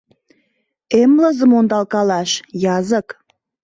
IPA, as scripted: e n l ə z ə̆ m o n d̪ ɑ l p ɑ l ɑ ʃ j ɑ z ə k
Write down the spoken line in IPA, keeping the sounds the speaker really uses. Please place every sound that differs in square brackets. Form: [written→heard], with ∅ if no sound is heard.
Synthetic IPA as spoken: e [n→m] l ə z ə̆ m o n d̪ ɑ l [p→k] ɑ l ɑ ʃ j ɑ z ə k